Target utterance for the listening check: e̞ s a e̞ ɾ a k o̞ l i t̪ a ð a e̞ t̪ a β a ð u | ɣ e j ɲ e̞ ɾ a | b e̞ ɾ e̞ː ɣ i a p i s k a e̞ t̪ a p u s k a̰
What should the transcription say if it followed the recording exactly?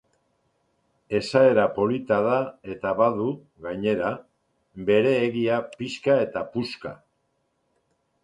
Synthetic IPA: e̞ s a e̞ ɾ a p o̞ l i t̪ a ð a e̞ t̪ a β a ð u | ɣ a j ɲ e̞ ɾ a | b e̞ ɾ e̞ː ɣ i a p i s k a e̞ t̪ a p u s k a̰